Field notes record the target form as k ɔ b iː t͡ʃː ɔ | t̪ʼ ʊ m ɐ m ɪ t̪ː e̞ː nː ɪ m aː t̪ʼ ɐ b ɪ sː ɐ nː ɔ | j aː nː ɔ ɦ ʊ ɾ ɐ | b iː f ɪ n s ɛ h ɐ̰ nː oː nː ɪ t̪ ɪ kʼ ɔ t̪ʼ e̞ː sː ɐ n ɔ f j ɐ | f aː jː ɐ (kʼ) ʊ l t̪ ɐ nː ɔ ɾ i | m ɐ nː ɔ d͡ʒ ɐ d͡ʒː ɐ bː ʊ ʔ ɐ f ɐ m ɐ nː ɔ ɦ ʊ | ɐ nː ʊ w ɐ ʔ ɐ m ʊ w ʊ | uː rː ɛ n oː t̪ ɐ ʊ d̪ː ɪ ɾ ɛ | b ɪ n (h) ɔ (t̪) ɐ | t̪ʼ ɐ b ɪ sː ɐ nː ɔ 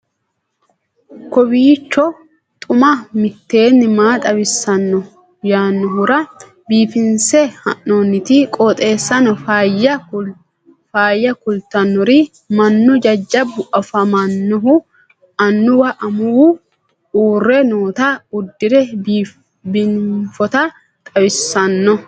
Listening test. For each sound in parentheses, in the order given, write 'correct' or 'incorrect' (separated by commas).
incorrect, incorrect, correct